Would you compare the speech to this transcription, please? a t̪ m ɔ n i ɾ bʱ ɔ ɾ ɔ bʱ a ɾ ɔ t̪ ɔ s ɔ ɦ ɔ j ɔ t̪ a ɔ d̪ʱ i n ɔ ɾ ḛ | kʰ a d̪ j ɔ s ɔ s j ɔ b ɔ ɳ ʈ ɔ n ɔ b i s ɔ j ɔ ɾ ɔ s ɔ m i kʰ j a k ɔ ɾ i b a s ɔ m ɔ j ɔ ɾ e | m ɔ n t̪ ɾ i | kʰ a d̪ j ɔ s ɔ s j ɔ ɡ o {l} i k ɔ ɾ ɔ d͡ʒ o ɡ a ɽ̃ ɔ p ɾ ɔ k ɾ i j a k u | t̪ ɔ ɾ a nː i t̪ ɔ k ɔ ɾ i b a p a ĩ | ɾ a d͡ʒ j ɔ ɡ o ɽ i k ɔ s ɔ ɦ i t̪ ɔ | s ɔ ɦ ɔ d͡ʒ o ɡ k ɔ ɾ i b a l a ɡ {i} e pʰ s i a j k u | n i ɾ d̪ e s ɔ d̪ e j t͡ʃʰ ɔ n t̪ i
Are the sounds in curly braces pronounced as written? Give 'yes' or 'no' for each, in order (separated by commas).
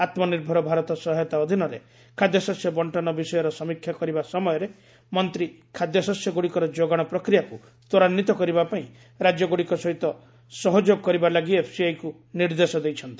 no, yes